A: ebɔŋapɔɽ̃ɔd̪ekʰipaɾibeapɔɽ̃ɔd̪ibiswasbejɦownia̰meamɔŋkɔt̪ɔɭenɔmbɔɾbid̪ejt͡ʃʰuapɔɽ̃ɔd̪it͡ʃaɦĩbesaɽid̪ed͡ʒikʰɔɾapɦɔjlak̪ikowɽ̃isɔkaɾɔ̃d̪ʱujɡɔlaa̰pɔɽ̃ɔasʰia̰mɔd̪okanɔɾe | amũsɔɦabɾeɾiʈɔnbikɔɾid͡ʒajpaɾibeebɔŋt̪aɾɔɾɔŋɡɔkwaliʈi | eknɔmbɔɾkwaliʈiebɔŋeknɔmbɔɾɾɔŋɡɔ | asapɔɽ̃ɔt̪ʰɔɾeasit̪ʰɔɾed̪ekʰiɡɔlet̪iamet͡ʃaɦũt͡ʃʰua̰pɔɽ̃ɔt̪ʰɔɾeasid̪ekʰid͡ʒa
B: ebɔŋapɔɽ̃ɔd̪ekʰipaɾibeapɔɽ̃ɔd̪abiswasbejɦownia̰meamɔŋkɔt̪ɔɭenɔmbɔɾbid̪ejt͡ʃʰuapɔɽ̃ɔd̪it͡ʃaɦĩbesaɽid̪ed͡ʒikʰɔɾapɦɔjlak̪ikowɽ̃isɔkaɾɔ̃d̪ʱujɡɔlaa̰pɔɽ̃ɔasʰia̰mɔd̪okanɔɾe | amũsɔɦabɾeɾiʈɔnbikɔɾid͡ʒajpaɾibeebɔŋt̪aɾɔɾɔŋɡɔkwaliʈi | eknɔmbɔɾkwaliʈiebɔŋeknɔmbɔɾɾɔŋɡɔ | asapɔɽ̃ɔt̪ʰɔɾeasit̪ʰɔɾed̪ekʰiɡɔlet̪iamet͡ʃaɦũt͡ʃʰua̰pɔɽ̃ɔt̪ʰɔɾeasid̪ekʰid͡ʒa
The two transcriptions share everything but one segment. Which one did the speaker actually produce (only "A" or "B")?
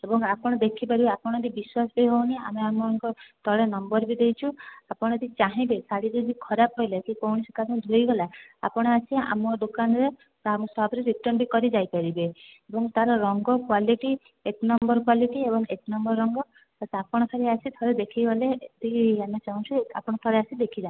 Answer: A